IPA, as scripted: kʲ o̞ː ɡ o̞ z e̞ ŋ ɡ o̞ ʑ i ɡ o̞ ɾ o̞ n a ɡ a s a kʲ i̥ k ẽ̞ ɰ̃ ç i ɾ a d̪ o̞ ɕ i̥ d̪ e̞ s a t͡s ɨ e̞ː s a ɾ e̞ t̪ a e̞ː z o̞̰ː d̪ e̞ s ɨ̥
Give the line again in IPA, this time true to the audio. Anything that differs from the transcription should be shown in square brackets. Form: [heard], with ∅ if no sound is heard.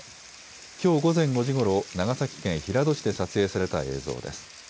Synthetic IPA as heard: kʲ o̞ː ɡ o̞ z [ẽ̞] ŋ ɡ o̞ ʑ i ɡ o̞ ɾ o̞ n a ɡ a s a kʲ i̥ k ẽ̞ ɰ̃ ç i ɾ a d̪ o̞ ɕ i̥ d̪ e̞ s a t͡s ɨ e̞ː s a ɾ e̞ t̪ a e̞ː z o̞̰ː d̪ e̞ s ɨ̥